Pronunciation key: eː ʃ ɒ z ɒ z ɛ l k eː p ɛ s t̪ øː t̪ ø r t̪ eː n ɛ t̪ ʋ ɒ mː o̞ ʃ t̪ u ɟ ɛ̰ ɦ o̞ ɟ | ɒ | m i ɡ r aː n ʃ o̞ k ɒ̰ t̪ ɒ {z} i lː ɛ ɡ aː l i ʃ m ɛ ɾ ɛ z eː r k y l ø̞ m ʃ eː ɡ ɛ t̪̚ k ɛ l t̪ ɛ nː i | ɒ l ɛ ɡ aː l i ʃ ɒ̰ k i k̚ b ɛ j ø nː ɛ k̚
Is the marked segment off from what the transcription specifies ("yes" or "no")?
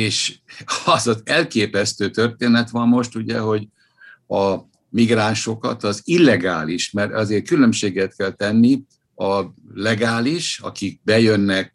no